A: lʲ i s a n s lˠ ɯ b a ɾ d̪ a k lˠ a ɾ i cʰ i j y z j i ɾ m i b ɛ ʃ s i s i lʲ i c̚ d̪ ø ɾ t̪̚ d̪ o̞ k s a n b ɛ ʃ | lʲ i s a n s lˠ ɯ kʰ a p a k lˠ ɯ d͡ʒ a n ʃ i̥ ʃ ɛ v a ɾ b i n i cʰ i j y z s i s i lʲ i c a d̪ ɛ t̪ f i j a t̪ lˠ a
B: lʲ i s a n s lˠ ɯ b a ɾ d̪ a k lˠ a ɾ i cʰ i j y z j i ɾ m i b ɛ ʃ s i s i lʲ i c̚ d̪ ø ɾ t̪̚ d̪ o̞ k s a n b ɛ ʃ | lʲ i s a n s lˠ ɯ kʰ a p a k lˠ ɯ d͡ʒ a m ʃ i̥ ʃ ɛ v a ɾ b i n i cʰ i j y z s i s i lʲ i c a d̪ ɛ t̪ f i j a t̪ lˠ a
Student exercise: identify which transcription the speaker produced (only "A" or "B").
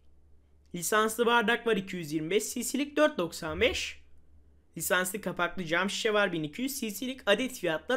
B